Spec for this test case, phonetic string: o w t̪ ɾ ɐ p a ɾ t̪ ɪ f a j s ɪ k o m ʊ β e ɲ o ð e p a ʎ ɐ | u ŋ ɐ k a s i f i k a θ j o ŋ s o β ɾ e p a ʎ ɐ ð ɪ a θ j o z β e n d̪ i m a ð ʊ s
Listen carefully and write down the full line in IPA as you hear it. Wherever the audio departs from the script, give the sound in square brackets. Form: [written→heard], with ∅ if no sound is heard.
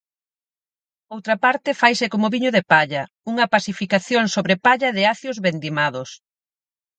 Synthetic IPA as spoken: o w t̪ ɾ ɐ p a ɾ t̪ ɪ f a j s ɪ k o m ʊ β [e→i] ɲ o ð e p a ʎ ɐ | u ŋ ɐ [k→p] a s i f i k a θ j o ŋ s o β ɾ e p a ʎ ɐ ð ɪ a θ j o z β e n d̪ i m a ð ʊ s